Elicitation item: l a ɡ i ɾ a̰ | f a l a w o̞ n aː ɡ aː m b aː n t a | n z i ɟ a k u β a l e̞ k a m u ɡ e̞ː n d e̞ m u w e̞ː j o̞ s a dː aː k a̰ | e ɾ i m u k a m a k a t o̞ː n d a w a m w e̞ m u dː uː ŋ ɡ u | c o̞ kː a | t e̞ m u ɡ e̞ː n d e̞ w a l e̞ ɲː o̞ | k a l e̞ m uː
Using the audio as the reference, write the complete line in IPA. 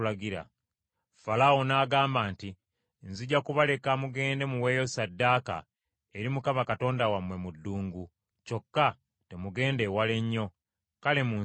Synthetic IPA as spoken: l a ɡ i ɾ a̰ | f a l a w o̞ n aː ɡ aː m b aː n t i | n z i ɟ a k u β a l e̞ k a m u ɡ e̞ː n d e̞ m u w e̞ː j o̞ s a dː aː k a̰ | e ɾ i m u k a m a k a t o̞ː n d a w a m w e̞ m u dː uː ŋ ɡ u | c o̞ kː a | t e̞ m u ɡ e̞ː n d e̞ w a l e̞ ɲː o̞ | k a l e̞ m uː